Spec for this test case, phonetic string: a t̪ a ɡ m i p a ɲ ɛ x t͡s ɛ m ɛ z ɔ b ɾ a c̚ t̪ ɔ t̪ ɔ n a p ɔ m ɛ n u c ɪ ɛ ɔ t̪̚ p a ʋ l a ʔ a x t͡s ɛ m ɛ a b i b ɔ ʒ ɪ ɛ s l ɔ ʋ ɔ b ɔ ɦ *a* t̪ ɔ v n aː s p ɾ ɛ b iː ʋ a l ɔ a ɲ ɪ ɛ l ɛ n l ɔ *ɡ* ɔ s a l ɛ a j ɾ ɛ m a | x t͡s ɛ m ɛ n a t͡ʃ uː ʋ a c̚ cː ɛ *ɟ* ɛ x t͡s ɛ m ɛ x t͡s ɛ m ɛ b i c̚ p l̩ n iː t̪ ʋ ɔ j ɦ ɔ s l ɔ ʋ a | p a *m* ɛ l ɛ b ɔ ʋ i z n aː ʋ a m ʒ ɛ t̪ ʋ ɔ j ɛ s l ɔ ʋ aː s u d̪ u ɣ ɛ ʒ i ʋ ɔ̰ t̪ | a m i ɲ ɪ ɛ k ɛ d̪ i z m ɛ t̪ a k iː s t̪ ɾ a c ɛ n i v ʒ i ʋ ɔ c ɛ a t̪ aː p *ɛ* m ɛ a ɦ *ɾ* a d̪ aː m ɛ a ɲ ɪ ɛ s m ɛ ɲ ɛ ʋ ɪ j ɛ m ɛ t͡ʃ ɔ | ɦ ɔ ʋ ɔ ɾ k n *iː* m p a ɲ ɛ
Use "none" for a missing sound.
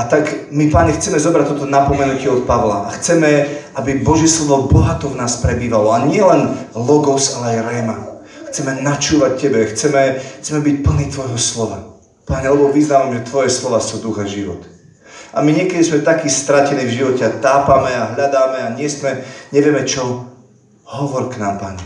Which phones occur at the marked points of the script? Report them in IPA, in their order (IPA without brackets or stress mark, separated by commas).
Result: a, ɡ, b, ɲ, a, ʎ, aː